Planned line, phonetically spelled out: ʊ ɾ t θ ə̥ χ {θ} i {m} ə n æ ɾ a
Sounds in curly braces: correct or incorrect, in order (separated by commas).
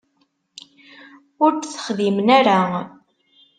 incorrect, correct